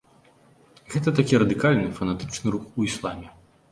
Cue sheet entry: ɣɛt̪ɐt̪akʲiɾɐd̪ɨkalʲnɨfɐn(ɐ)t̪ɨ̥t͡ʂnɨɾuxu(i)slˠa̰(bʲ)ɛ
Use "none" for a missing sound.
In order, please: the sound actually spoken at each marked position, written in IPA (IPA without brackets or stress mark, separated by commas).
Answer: a, i, mʲ